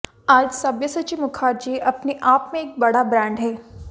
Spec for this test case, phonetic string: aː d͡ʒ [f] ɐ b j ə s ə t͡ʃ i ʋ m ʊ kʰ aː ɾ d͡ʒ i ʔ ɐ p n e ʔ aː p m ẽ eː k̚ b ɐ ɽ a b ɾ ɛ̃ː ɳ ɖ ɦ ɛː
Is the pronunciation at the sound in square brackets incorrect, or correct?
incorrect